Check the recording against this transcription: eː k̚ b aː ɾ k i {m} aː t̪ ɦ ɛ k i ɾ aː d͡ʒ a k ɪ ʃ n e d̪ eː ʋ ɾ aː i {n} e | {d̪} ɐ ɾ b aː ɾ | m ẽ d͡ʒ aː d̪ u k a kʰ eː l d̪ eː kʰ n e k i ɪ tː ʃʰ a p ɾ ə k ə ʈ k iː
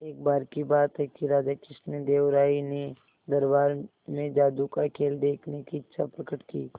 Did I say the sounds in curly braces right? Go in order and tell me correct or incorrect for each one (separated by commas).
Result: incorrect, correct, correct